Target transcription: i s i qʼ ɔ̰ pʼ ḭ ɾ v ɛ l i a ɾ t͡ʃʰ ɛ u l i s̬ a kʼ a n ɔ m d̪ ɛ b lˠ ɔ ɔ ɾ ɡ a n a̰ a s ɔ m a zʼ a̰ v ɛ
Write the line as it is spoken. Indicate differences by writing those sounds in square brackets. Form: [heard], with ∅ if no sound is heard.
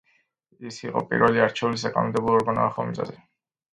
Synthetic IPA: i s i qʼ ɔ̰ pʼ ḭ ɾ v ɛ l i a ɾ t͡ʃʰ ɛ u l i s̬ a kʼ a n ɔ m d̪ ɛ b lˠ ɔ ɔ ɾ ɡ a n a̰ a [χ] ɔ m [i] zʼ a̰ [z] ɛ